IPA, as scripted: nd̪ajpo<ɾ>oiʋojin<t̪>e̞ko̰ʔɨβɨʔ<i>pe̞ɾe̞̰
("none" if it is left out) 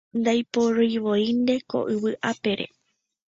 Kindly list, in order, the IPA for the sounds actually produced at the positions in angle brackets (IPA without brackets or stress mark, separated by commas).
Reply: ɾ, d̪, a